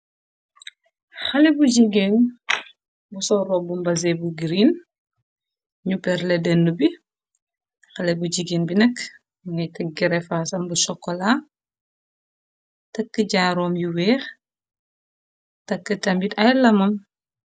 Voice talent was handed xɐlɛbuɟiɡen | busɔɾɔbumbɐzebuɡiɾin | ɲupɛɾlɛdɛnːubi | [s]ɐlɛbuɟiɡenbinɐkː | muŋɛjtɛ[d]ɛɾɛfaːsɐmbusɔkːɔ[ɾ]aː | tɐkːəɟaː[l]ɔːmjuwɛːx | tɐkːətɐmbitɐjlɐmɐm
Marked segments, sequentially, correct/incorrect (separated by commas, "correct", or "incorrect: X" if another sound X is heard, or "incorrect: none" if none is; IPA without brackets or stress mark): incorrect: x, incorrect: ɡ, incorrect: l, incorrect: ɾ